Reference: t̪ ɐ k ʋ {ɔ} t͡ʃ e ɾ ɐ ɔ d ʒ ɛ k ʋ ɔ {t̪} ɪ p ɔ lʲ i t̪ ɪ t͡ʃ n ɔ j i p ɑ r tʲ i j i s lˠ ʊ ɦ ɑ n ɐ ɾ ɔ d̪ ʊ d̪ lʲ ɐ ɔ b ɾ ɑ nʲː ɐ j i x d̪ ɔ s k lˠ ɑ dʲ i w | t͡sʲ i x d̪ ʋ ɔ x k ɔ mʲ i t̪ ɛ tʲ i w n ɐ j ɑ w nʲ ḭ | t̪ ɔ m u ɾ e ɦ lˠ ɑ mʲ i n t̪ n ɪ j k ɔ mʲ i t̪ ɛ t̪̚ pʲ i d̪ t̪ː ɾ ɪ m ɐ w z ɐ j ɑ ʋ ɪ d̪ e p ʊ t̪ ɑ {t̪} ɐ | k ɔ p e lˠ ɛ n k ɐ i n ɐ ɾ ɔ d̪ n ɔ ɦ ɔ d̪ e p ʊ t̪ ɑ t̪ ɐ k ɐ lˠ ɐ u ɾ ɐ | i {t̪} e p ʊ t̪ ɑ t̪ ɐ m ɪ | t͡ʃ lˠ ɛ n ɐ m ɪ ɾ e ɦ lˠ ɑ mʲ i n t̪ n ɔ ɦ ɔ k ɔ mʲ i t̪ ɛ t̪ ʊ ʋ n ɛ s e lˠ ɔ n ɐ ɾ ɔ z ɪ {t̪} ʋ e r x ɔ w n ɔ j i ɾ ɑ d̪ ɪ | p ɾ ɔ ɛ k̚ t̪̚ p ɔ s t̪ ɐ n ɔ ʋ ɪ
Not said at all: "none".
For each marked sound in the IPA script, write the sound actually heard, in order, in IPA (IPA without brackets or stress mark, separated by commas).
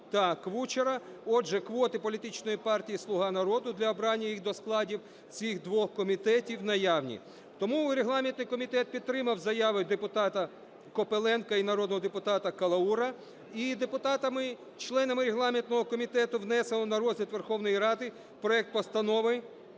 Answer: u, t̪, t̪, d̪, t̪